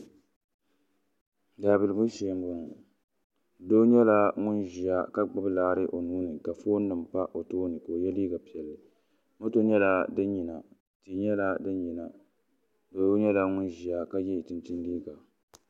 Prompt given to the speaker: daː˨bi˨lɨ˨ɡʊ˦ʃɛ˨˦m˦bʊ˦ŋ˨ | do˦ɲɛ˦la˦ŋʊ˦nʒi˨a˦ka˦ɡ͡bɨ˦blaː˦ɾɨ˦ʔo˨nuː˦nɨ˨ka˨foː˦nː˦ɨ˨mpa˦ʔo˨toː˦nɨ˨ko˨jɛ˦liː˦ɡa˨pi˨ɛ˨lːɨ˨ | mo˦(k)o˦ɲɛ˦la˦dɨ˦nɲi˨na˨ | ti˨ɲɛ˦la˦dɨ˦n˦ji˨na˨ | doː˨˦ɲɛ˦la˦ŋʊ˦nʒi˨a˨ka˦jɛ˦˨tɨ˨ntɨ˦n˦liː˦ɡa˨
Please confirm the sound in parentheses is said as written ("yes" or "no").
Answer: no